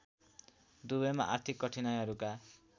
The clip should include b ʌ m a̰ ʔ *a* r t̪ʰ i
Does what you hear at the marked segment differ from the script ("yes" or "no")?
no